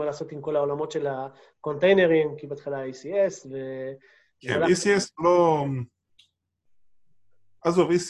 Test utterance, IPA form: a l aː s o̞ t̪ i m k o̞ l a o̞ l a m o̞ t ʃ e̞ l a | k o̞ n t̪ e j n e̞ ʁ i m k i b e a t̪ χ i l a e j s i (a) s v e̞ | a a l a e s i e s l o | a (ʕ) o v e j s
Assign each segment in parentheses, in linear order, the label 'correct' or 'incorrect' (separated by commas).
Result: incorrect, incorrect